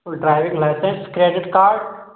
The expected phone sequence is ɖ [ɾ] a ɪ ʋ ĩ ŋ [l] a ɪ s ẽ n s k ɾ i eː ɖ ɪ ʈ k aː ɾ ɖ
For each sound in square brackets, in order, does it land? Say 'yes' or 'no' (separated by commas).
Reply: yes, yes